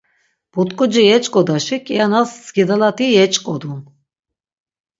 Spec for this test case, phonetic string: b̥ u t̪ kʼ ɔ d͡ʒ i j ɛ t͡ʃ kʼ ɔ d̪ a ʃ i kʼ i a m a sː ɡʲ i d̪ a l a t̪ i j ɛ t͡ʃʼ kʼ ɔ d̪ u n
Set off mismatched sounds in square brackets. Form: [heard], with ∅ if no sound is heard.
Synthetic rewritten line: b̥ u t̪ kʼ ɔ d͡ʒ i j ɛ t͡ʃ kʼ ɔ d̪ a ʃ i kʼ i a [n] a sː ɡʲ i d̪ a l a t̪ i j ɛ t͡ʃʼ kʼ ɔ d̪ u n